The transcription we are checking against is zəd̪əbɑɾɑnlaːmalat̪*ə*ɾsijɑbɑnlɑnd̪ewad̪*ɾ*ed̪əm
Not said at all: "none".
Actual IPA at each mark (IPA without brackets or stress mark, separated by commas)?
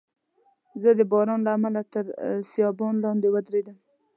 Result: ə, ɾ